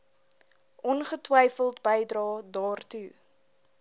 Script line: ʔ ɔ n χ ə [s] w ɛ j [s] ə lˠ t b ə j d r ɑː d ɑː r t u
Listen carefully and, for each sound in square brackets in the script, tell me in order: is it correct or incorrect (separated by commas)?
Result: incorrect, incorrect